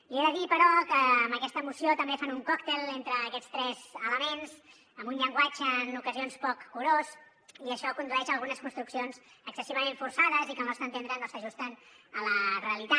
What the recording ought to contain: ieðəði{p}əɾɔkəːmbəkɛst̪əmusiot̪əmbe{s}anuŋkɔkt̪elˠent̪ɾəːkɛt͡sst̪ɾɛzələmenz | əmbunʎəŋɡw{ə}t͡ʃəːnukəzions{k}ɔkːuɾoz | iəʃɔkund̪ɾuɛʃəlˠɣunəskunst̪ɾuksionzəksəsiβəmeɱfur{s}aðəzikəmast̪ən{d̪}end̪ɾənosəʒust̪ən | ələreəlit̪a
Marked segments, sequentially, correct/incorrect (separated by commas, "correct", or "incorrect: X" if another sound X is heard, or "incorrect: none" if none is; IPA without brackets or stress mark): correct, incorrect: f, incorrect: a, incorrect: p, correct, incorrect: t̪